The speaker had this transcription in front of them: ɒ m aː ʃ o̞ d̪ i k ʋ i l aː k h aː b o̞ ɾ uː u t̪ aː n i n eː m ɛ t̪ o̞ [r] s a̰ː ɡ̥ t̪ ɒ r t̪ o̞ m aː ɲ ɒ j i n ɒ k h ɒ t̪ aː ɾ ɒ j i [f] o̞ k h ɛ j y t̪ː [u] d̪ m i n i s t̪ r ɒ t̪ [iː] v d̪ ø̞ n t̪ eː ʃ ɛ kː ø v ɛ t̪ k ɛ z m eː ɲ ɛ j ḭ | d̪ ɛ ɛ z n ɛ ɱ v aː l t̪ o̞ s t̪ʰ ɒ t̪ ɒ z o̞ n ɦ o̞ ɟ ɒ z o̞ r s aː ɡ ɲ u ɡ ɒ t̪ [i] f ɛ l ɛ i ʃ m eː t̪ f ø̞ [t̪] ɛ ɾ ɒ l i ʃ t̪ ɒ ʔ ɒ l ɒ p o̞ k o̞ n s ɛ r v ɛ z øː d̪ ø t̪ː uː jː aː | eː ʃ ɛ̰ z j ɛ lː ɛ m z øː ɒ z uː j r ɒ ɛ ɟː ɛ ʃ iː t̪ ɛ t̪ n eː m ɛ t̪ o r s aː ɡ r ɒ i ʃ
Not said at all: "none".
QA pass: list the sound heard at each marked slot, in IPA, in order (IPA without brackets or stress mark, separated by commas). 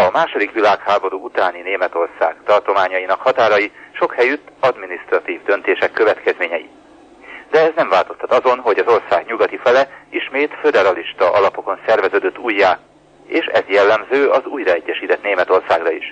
r, ʃ, ɒ, iː, i, d̪